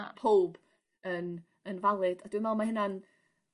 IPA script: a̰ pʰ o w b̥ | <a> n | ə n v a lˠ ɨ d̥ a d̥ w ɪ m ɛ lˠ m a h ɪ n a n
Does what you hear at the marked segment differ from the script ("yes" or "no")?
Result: yes